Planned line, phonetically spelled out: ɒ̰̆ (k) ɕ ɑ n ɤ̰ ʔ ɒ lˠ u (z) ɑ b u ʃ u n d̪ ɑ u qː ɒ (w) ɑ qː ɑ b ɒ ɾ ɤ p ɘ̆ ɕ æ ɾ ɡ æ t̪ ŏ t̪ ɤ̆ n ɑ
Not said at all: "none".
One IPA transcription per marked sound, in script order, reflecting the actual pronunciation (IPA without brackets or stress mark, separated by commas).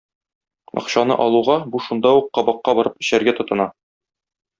q, ʁ, b